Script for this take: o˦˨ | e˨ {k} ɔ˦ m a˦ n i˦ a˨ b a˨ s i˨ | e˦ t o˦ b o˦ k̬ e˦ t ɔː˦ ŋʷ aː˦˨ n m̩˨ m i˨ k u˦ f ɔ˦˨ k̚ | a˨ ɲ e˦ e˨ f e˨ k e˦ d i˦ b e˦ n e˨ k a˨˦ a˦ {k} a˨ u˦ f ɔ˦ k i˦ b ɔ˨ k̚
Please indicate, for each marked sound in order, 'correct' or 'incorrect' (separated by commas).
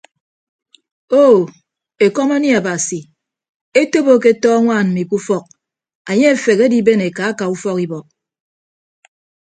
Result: correct, correct